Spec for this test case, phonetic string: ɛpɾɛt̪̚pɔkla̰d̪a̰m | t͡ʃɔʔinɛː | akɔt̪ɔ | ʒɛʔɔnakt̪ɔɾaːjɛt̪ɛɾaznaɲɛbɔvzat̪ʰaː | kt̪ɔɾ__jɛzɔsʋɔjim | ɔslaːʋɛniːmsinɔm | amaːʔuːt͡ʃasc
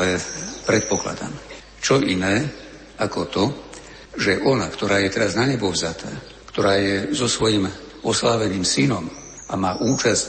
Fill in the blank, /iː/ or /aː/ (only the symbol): aː